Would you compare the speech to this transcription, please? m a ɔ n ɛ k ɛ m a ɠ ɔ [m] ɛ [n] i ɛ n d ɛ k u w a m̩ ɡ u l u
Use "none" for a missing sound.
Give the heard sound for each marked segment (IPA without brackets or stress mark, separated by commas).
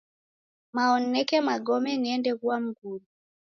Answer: m, n